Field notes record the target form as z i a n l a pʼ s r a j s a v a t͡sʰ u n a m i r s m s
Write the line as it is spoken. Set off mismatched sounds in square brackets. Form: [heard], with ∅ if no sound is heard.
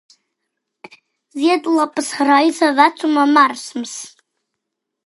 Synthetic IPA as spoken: z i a [d] l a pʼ s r a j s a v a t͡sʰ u [m] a m [a] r s m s